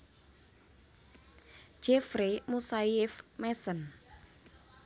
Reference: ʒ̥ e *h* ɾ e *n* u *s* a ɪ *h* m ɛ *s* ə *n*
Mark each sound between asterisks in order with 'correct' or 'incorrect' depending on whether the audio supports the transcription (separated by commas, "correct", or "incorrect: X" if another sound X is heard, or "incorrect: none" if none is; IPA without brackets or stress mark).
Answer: incorrect: f, incorrect: m, correct, incorrect: f, correct, correct